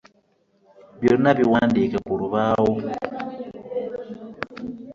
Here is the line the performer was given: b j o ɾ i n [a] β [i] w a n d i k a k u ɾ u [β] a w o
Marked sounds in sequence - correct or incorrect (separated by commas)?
correct, correct, correct